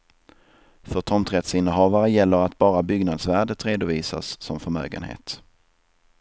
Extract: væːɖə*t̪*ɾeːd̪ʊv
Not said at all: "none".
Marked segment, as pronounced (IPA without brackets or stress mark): t̪